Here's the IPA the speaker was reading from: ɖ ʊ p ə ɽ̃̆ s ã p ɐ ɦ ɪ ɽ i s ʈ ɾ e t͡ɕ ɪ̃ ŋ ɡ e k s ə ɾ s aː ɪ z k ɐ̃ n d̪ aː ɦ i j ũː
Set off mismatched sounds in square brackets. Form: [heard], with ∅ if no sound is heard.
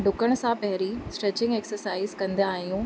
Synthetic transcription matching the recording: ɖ ʊ [k] ə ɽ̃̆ s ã p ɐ ɦ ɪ [ɾ] i s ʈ ɾ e t͡ɕ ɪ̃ ŋ ɡ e k s ə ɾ s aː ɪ z k ɐ̃ n d̪ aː ɦ i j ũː

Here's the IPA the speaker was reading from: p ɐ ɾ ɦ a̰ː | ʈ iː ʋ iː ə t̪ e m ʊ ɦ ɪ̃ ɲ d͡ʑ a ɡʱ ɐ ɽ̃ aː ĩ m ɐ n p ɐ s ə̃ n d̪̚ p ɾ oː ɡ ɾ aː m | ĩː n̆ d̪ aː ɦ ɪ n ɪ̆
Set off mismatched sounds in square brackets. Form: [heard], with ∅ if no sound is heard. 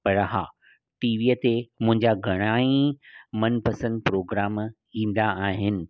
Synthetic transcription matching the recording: p ɐ ɾ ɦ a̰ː | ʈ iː ʋ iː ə t̪ e m [ʊ̃] ɦ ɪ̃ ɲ d͡ʑ a ɡʱ ɐ ɽ̃ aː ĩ m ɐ n p ɐ s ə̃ n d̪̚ p ɾ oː ɡ ɾ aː m | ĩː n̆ d̪ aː ɦ ɪ n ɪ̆

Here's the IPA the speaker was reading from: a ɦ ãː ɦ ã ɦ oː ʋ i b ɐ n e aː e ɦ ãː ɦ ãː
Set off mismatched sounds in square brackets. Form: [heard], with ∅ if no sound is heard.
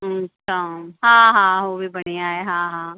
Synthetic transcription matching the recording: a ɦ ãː ɦ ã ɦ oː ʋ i b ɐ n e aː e ɦ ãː ɦ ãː

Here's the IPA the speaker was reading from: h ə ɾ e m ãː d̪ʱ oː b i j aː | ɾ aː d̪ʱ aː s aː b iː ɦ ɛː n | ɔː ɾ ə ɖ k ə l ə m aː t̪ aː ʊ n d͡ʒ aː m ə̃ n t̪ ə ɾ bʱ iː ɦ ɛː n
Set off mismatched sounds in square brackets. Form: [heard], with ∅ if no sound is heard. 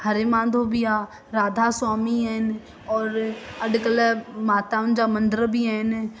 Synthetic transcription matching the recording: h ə ɾ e m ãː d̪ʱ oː b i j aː | ɾ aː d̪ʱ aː s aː [m] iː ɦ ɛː n | ɔː ɾ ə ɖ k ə l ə m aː t̪ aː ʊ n d͡ʒ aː m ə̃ n [d̪] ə ɾ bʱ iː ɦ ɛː n

